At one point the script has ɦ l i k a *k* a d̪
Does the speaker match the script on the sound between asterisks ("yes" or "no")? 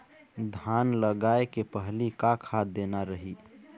no